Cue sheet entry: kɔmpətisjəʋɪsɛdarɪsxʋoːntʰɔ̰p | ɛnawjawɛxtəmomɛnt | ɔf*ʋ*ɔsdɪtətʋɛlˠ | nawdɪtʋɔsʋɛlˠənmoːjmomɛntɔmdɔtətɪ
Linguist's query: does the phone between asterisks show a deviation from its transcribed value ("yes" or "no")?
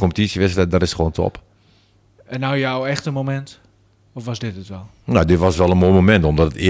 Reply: no